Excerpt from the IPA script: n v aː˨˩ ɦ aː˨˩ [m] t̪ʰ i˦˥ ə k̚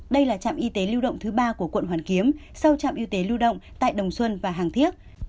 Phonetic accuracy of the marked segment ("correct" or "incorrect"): incorrect